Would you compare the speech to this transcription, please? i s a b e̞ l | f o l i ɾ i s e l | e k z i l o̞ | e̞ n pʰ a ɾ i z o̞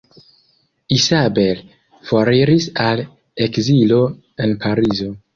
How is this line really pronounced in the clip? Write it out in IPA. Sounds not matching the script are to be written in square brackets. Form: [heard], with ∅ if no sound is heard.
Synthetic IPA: i s a b e̞ l | f o [ɾ] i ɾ i s [a] l | e k z i l o̞ | e̞ n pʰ a ɾ i z o̞